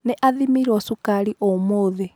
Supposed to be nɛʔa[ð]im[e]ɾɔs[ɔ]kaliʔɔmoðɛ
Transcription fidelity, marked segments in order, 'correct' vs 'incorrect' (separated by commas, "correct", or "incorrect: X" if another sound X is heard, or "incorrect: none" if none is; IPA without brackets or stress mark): correct, incorrect: i, incorrect: u